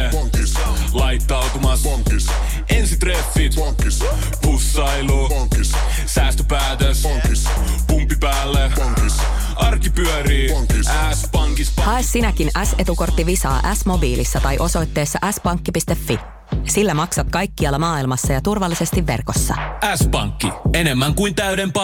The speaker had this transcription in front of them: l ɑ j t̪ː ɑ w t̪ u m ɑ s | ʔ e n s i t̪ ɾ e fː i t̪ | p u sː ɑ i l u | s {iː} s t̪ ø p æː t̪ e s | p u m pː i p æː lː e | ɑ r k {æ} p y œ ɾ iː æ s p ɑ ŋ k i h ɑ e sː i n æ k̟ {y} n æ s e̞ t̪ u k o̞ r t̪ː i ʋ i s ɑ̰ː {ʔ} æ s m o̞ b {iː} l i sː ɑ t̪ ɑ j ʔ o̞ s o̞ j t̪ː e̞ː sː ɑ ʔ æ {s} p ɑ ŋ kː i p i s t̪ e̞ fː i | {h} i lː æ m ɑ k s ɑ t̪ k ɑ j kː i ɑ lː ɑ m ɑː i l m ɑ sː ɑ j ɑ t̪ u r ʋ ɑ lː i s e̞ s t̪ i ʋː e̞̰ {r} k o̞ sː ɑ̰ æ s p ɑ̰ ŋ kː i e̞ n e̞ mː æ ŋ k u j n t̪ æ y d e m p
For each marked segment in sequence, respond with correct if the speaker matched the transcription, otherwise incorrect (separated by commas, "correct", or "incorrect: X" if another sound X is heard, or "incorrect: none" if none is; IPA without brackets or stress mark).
incorrect: æː, incorrect: i, incorrect: i, correct, correct, correct, incorrect: s, correct